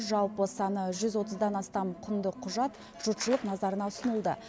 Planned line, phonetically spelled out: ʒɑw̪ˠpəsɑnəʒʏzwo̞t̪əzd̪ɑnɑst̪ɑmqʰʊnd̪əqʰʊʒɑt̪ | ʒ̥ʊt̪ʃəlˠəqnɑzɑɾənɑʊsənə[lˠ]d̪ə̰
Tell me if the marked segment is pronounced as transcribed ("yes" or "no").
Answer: yes